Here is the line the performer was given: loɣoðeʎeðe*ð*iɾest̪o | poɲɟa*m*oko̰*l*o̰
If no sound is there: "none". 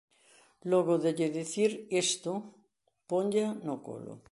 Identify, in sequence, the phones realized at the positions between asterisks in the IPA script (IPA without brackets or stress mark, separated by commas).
θ, n, l